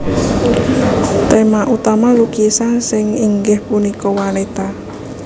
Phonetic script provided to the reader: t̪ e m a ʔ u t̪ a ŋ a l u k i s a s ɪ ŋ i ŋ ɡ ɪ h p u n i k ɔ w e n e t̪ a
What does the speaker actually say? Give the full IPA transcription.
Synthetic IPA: t̪ e m a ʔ u t̪ a m a l u k i s a s ɪ ŋ i ŋ ɡ ɪ h p u n i k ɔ w a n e t̪ a